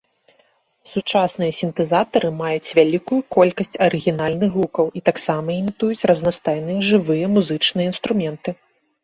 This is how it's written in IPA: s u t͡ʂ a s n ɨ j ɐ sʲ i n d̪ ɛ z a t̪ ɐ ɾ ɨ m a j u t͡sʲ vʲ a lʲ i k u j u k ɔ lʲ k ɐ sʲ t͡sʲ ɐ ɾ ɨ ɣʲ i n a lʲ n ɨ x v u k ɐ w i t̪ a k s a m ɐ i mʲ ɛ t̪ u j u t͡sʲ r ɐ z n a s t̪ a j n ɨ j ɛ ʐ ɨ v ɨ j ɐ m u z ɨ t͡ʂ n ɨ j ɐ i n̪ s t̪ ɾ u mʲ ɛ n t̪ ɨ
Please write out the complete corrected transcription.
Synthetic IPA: s u t͡ʂ a s n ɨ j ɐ sʲ i n t̪ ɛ z a t̪ ɐ ɾ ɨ m a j u t͡sʲ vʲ a lʲ i k u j u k ɔ lʲ k ɐ sʲ t͡sʲ ɐ ɾ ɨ ɣʲ i n a lʲ n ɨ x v u k ɐ w i t̪ a k s a m ɐ i mʲ i t̪ u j u t͡sʲ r ɐ z n a s t̪ a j n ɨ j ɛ ʐ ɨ v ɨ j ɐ m u z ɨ t͡ʂ n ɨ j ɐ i n̪ s t̪ ɾ u mʲ ɛ n t̪ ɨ